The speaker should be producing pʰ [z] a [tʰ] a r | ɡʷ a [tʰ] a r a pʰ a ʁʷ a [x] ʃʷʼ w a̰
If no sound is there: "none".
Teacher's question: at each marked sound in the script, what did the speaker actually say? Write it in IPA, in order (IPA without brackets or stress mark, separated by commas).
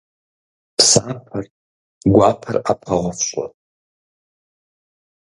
s, pʰ, pʰ, f